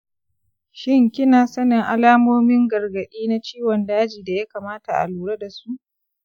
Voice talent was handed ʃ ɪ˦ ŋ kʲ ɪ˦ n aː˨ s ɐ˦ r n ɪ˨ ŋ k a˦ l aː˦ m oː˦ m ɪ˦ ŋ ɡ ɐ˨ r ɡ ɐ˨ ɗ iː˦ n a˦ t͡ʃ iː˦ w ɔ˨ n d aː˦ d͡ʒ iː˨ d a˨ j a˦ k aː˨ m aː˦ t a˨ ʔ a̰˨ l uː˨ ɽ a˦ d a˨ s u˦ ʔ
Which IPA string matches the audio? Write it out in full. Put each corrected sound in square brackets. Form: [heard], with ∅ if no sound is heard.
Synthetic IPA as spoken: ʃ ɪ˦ ŋ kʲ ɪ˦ n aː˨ s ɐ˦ [∅] n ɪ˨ ŋ [ʔ] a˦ l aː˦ m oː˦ m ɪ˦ ŋ ɡ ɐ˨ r ɡ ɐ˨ ɗ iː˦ n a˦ t͡ʃ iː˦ w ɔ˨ n d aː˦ d͡ʒ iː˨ d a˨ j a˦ k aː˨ m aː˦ t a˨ ʔ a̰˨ l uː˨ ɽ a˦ d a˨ s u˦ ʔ

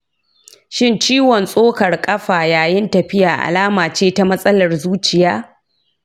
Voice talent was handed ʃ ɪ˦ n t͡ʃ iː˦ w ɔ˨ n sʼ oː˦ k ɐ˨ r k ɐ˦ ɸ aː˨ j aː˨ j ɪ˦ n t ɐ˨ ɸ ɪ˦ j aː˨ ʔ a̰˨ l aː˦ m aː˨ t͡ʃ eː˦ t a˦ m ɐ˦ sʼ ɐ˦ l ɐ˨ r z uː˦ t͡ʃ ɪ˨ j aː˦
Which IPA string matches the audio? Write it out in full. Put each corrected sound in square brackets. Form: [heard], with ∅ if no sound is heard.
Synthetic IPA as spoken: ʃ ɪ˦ n t͡ʃ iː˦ w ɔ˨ n sʼ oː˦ k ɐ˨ r [kʼ] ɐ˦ ɸ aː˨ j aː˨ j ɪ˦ n t ɐ˨ ɸ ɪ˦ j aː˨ ʔ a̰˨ l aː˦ m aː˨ t͡ʃ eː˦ t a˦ m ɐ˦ sʼ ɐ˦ l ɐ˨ r z uː˦ t͡ʃ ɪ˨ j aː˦

